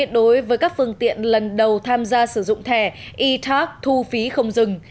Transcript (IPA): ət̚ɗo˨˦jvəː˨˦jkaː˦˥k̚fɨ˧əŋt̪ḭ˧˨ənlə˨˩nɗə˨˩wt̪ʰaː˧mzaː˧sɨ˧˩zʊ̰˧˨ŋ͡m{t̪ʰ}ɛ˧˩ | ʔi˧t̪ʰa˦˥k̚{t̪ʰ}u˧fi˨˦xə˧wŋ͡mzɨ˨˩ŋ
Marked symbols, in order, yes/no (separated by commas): yes, yes